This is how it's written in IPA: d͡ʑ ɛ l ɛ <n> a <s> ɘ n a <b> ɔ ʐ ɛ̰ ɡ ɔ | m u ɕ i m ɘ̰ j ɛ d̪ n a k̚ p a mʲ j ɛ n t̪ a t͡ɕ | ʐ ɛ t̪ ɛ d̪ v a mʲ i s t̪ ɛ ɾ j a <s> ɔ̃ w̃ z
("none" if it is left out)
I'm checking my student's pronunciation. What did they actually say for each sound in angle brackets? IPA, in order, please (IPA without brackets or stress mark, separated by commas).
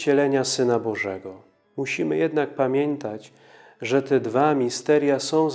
ɲ, s, b, s